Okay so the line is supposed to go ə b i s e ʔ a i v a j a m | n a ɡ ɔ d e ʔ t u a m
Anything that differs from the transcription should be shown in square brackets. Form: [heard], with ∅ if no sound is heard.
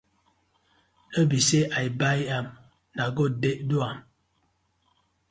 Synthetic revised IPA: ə b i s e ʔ a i [b] a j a m | n a ɡ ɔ d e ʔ [d] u a m